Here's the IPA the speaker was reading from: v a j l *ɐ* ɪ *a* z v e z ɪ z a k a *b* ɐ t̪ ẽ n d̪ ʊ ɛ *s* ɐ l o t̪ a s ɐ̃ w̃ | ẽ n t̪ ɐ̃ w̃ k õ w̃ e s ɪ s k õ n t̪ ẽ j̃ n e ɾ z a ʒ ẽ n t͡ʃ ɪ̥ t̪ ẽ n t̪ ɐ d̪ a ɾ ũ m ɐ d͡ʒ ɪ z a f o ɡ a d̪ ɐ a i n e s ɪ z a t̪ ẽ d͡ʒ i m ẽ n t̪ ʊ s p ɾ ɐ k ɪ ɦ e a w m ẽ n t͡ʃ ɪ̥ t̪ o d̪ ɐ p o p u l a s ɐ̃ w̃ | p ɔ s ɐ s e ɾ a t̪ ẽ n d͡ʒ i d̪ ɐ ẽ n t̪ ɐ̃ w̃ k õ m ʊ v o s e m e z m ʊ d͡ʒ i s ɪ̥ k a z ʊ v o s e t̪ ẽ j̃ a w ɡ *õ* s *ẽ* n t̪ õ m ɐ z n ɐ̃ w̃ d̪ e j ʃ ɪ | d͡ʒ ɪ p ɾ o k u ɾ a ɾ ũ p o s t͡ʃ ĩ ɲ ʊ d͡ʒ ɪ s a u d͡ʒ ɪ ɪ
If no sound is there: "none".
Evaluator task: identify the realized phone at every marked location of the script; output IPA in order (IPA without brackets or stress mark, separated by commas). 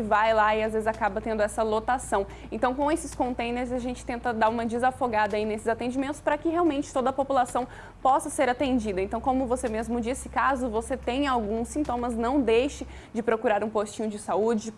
a, a, b, s, ũ, ĩ